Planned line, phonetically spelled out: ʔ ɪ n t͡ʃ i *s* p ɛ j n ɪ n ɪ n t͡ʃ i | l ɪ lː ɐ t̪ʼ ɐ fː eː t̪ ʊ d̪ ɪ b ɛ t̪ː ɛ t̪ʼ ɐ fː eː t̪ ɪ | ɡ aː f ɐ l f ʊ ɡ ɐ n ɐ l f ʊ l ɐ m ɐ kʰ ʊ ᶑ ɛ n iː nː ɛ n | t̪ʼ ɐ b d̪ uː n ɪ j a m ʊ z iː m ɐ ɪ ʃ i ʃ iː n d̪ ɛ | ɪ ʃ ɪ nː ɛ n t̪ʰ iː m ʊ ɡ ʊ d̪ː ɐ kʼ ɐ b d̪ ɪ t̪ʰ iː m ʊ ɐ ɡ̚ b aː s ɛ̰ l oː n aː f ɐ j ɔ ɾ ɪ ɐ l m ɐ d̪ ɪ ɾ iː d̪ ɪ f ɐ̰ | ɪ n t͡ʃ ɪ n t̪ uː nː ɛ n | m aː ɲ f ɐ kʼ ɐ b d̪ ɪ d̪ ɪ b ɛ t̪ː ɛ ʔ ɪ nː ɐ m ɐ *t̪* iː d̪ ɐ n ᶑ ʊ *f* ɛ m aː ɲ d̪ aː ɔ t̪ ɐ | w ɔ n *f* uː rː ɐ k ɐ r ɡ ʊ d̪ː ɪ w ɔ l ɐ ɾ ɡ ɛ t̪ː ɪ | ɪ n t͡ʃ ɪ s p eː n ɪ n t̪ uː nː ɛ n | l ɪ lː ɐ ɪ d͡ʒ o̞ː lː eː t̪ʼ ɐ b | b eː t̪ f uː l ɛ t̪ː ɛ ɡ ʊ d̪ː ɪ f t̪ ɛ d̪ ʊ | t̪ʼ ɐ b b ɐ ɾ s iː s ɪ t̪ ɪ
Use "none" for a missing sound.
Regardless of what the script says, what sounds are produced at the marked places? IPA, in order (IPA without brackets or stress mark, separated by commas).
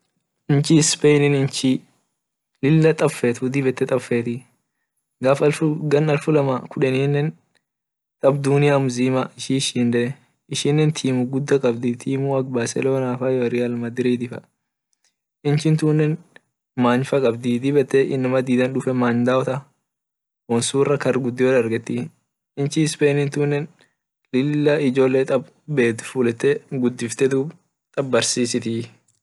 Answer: s, d̪, f, s